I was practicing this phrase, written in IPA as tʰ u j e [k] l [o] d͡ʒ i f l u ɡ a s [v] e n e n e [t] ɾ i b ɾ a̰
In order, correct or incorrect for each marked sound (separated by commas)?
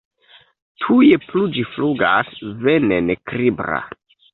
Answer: incorrect, incorrect, correct, incorrect